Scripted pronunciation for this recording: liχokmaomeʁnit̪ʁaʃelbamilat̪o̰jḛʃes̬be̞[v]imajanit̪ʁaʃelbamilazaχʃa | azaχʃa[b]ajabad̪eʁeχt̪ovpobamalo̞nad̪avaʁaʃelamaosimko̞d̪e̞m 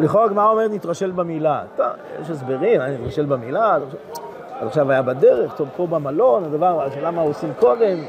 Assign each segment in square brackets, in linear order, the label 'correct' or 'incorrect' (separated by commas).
incorrect, incorrect